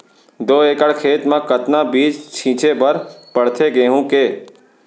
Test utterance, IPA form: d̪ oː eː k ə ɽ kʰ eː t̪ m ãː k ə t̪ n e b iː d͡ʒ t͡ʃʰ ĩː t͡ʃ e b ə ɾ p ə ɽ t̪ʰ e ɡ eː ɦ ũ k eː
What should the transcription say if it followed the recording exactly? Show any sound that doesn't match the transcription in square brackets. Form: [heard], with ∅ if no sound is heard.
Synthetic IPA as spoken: d̪ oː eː k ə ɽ kʰ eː t̪ m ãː k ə t̪ n [a] b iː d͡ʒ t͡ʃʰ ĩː t͡ʃ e b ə ɾ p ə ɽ t̪ʰ e ɡ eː ɦ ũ k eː